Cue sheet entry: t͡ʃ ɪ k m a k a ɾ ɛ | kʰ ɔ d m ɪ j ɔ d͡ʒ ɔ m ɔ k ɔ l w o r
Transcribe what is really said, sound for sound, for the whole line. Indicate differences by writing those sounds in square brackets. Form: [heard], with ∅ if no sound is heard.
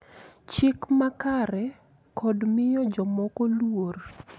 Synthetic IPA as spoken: t͡ʃ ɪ k m a k a ɾ ɛ | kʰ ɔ d m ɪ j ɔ d͡ʒ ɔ m ɔ k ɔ l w o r